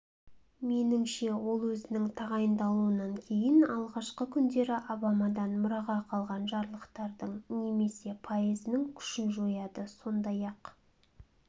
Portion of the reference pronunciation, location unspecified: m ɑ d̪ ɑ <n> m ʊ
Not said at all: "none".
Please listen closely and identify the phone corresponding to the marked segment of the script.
n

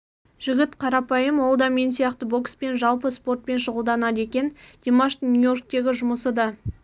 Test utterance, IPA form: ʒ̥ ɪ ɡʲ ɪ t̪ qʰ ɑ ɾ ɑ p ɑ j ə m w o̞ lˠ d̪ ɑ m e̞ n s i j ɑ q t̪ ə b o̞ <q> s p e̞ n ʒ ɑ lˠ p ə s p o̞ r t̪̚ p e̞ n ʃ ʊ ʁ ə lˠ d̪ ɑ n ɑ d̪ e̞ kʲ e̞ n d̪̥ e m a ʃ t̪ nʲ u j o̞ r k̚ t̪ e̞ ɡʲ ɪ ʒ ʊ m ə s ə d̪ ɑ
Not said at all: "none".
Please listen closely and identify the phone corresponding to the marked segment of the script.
k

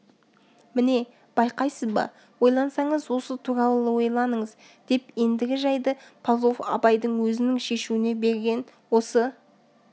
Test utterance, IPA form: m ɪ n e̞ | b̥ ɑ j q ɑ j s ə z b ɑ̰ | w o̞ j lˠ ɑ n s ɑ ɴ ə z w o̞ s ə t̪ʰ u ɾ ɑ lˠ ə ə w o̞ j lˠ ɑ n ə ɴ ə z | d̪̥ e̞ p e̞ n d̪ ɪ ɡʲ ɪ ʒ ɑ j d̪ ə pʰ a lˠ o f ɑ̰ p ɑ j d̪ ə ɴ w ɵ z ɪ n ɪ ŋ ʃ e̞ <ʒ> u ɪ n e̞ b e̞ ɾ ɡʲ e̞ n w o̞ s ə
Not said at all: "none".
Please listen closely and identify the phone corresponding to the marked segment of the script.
ʃ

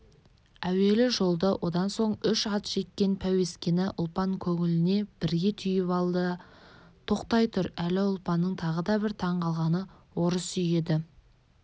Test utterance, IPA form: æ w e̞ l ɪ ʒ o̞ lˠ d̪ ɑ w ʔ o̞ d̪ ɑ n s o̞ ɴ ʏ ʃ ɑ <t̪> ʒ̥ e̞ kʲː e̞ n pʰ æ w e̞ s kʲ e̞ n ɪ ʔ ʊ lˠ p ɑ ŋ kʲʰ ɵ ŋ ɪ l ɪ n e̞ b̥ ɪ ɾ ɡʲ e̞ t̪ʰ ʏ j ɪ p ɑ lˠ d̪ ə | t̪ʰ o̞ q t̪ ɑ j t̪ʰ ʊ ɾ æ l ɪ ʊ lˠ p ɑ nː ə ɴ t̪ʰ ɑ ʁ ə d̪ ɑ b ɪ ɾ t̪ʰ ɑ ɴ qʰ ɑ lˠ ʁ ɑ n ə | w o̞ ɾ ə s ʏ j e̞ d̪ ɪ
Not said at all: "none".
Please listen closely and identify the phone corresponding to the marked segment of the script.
t̪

